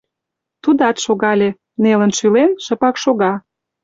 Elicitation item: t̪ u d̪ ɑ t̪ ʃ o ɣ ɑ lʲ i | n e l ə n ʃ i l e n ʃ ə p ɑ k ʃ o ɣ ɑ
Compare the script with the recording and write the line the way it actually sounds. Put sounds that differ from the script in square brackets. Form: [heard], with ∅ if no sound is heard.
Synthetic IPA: t̪ u d̪ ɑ t̪ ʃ o ɣ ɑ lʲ [e] | n e l ə n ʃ [y] l e n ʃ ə p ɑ k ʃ o ɣ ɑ